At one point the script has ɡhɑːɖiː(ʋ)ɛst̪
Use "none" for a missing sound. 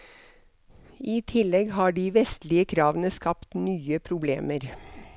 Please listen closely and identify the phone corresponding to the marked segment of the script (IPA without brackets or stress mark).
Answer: ʋ